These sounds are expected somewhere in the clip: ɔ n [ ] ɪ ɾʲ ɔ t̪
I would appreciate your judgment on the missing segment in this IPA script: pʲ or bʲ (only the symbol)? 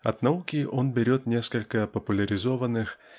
bʲ